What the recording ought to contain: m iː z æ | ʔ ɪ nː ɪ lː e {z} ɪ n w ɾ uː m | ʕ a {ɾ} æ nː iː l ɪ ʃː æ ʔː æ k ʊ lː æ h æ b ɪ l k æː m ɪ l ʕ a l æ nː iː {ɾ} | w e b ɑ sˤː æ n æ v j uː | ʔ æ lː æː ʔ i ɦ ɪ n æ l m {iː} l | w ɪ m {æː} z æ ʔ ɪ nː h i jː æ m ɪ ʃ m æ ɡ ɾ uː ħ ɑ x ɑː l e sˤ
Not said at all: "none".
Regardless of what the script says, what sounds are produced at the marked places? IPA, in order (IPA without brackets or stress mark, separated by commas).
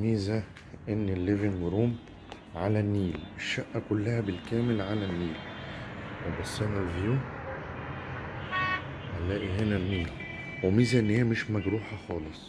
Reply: v, l, l, iː, iː